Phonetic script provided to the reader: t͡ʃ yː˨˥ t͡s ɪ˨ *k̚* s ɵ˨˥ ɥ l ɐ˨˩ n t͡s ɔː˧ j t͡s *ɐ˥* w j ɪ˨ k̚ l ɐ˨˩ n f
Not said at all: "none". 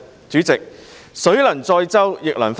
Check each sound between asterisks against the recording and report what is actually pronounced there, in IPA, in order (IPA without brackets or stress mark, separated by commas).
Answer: k̚, ɐ˥